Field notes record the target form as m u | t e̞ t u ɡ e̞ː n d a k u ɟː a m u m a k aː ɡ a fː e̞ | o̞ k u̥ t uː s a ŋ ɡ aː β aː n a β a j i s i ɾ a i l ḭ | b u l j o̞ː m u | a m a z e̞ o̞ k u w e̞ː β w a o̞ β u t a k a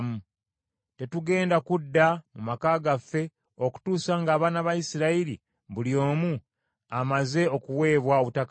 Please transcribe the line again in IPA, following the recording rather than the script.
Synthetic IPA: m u | t e̞ t u ɡ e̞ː n d a k u dː a m u m a k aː ɡ a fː e̞ | o̞ k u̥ t uː s a ŋ ɡ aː β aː n a β a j i s i ɾ a i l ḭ | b u l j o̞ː m u | a m a z e̞ o̞ k u w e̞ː β w a o̞ β u t a k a